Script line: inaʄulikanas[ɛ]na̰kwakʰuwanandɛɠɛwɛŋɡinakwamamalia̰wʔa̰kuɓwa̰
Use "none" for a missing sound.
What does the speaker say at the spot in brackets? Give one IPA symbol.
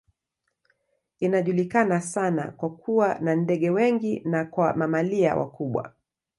a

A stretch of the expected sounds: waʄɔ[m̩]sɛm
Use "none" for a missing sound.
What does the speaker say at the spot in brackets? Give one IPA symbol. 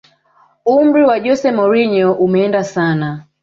none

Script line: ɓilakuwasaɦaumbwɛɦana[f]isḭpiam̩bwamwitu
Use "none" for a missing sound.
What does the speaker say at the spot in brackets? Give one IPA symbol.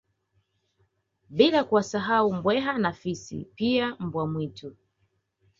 f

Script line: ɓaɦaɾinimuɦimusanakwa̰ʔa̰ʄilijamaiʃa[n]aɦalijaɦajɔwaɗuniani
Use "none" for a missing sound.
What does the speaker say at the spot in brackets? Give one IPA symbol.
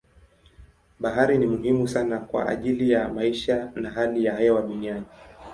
n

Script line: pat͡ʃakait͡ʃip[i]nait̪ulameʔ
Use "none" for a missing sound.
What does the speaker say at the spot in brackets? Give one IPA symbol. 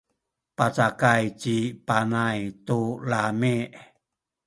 a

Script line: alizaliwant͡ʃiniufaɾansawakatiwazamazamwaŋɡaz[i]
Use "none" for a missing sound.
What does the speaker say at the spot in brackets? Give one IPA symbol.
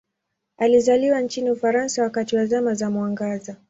a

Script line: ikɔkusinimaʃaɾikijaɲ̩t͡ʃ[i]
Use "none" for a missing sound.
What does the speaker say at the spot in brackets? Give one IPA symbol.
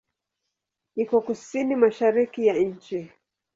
i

